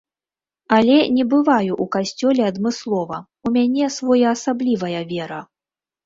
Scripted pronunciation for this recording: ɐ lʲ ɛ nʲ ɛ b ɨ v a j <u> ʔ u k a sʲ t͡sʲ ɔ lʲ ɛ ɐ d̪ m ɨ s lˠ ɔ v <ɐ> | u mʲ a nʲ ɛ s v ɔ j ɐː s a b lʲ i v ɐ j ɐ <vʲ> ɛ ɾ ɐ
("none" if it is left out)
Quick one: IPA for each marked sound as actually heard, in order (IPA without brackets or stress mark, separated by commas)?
u, ɐ, vʲ